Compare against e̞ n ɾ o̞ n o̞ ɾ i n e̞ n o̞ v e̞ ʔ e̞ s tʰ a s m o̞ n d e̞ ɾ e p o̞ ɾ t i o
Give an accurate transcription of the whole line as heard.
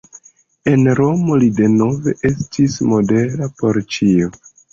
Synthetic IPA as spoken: e̞ n ɾ o̞ m o̞ l i d e̞ n o̞ v e̞ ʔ e̞ s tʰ i s m o̞ d e̞ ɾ a p o̞ ɾ t͡ʃ i o